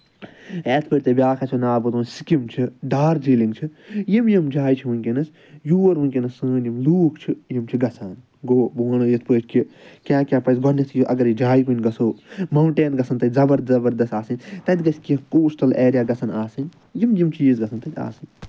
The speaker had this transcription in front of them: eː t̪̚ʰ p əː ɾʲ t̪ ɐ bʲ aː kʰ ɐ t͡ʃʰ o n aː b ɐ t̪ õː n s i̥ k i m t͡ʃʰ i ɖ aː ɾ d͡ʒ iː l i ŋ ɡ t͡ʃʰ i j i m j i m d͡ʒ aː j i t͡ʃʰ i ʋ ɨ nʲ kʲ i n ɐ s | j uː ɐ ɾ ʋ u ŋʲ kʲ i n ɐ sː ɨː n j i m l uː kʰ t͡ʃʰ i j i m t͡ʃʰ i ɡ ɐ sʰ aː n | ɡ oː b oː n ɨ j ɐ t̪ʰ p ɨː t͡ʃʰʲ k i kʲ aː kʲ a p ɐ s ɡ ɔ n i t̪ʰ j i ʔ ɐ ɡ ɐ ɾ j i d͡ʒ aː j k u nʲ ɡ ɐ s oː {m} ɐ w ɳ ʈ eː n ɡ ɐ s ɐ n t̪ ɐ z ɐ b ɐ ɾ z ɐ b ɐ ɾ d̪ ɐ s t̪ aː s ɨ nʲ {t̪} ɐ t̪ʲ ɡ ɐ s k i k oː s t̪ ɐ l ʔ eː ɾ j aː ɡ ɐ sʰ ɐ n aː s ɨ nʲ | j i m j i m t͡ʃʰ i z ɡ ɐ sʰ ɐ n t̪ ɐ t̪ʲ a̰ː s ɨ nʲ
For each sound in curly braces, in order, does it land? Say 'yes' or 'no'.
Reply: yes, yes

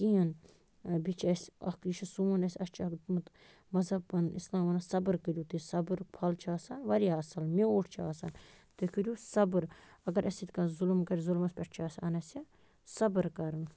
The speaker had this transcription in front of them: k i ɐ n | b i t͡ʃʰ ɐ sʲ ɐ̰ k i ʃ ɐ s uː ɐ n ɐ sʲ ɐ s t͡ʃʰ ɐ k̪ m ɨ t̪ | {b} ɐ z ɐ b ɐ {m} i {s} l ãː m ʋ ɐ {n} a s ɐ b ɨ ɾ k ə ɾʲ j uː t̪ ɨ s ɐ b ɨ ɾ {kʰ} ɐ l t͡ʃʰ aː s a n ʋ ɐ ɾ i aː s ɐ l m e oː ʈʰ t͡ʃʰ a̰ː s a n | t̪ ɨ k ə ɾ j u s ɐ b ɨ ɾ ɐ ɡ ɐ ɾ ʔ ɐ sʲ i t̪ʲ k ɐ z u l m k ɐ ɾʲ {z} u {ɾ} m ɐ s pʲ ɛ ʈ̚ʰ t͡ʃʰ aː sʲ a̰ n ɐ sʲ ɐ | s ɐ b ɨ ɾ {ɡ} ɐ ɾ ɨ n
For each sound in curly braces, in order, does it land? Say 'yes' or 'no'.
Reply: no, no, yes, yes, no, yes, no, no

